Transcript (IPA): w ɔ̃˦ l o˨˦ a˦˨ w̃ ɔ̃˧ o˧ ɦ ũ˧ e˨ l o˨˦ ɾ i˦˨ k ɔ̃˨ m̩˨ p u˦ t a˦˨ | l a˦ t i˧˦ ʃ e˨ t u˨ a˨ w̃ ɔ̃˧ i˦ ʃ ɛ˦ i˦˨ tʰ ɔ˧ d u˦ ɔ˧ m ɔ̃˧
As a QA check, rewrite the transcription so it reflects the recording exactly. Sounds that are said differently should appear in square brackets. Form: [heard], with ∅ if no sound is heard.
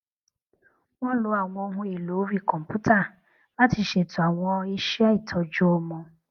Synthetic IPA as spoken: w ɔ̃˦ l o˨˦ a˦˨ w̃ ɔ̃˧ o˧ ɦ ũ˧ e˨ l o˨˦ ɾ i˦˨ k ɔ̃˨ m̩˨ p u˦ t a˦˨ | l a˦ t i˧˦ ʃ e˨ t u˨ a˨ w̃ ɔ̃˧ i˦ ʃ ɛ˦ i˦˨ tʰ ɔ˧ [d͡ʒ] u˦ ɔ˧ m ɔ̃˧